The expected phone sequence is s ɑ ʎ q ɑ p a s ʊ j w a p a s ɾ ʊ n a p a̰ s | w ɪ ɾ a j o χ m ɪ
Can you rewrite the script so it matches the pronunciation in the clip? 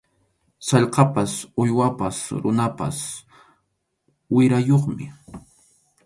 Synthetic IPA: s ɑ ʎ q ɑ p a s ʊ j w a p a s ɾ ʊ n a p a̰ s | w ɪ ɾ a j o χ m ɪ